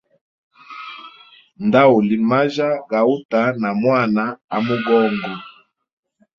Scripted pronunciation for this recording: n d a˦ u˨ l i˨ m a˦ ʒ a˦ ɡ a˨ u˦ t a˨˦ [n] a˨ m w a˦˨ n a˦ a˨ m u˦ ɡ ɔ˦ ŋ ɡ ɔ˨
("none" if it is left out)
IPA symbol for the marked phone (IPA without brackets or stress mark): n